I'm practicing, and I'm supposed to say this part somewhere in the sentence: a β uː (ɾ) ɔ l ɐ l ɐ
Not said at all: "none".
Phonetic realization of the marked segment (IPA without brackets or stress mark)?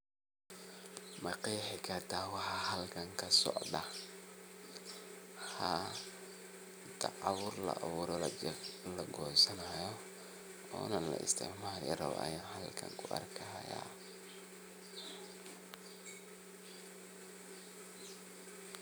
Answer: ɾ